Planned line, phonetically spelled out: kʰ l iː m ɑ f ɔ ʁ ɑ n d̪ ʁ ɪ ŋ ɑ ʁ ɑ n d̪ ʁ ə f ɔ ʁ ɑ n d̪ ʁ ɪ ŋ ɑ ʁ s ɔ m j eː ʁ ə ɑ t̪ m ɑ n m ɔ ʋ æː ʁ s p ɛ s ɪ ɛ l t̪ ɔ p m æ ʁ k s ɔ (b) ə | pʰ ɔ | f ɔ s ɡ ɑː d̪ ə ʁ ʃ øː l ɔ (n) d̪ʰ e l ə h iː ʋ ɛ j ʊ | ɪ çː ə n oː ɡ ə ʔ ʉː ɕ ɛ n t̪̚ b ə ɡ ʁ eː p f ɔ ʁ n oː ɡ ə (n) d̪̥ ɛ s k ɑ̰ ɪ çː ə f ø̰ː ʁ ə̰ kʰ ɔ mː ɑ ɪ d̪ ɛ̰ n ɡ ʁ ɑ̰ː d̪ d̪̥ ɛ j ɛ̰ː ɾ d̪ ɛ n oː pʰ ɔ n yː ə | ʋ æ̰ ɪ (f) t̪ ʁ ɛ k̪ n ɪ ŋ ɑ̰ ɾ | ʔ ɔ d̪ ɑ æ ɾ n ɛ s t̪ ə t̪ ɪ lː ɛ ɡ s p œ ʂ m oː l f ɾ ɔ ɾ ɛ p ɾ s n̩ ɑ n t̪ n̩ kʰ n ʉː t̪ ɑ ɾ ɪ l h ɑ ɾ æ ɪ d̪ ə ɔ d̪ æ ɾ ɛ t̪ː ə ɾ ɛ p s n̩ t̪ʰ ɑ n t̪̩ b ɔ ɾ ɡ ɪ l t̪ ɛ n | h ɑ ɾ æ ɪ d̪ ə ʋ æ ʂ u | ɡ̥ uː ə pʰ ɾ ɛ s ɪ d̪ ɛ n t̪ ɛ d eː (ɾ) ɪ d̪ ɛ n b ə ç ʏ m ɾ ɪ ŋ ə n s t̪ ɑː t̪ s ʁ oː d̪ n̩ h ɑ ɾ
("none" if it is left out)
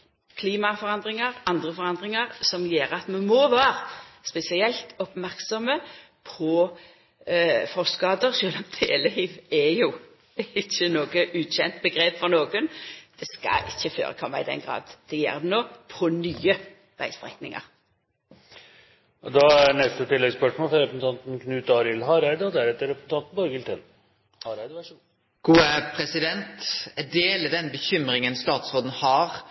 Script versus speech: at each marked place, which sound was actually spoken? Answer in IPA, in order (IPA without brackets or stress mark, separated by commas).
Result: m, m, n, s, l